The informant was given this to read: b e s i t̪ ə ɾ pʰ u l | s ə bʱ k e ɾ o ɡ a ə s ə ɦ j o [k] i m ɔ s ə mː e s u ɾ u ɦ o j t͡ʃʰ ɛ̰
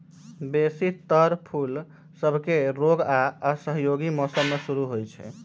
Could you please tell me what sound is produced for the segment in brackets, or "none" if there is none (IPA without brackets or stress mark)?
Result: ɡ